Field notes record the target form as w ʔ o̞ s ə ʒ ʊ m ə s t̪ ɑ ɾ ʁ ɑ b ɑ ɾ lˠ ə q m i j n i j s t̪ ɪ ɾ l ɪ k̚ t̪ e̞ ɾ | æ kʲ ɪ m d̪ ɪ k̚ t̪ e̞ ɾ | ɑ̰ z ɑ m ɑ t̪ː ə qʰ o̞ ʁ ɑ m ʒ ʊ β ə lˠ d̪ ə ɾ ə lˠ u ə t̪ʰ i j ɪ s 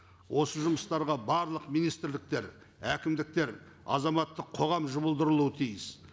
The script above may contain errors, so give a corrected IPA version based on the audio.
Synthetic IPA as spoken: w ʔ o̞ s ə ʒ ʊ m ə s t̪ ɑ ɾ ʁ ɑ b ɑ ɾ lˠ ə q m i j n i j s t̪ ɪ ɾ l ɪ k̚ t̪ e̞ ɾ | æ kʲ ɪ m d̪ ɪ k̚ t̪ e̞ ɾ | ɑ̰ z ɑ m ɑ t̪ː ə qʰ o̞ ʁ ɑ m ʒ ʊ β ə lˠ d̪ ə ɾ ə lˠ u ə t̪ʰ i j ɪ s